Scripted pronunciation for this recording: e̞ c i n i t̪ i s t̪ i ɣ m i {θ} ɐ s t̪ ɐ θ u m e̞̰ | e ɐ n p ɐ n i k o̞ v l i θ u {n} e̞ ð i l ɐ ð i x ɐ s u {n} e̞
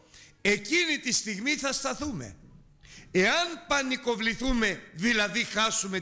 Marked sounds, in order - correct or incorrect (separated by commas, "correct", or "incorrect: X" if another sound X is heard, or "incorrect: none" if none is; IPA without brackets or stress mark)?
correct, incorrect: m, incorrect: m